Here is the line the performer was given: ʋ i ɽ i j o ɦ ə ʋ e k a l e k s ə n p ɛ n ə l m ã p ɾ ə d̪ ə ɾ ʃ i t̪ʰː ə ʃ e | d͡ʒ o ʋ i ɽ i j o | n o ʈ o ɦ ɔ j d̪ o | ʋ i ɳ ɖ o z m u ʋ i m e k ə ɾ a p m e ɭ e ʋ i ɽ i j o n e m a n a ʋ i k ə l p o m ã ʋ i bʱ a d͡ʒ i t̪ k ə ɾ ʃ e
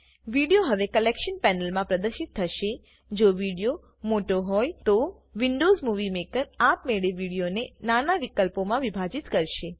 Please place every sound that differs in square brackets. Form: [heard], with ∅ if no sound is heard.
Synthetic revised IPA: ʋ i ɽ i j o ɦ ə ʋ e k [ə] l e k [ʃ] ə n p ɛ n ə l m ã p ɾ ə d̪ ə ɾ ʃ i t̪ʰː ə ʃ e | d͡ʒ o ʋ i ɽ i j o | [m] o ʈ o ɦ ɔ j [t̪] o | ʋ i ɳ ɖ o z m u ʋ i m e k ə ɾ a p m e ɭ e ʋ i ɽ i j o n e [n] a n a ʋ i k ə l p o m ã ʋ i bʱ a d͡ʒ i t̪ k ə ɾ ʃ e

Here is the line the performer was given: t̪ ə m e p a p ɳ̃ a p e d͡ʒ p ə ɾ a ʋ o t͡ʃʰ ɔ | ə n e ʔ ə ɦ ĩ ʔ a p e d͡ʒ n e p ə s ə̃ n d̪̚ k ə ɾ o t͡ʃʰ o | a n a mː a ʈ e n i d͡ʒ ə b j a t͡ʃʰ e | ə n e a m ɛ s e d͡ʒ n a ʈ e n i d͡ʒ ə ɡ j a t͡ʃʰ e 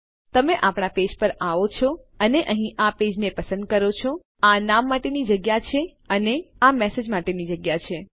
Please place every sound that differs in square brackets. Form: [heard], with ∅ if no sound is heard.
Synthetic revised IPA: t̪ ə m e [ʔ] a p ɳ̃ a p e d͡ʒ p ə ɾ a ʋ o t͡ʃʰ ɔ | ə n e ʔ ə ɦ ĩ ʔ a p e d͡ʒ n e p ə s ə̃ n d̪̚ k ə ɾ o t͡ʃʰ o | a n a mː a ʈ e n i d͡ʒ ə [ɡ] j a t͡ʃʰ e | ə n e a m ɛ s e d͡ʒ [m] a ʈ e n i d͡ʒ ə ɡ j a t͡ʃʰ e

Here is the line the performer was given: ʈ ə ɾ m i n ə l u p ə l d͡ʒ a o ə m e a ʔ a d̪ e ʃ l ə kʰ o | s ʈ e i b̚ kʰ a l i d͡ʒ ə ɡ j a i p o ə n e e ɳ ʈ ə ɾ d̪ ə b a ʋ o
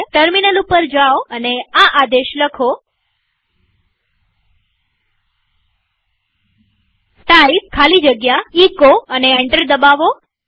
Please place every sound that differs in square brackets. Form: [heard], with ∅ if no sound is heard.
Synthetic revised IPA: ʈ ə ɾ m i n ə l u p ə [ɾ] d͡ʒ a o ə [n] e a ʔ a d̪ e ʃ l ə kʰ o | s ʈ [a] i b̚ kʰ a l i d͡ʒ ə ɡ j a i [k] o ə n e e ɳ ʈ ə ɾ d̪ ə b a ʋ o

